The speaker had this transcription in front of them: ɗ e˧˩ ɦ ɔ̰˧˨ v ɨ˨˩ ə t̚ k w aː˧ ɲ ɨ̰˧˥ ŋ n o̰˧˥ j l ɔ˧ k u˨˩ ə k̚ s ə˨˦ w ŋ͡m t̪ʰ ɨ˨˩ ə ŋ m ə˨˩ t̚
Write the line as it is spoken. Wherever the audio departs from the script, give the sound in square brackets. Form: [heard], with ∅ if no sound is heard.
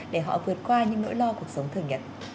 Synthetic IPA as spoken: ɗ e˧˩ ɦ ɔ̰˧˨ v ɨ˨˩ ə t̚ k w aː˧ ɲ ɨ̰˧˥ ŋ n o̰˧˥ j l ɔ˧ k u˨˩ ə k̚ s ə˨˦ w ŋ͡m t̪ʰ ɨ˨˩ ə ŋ [ɲ] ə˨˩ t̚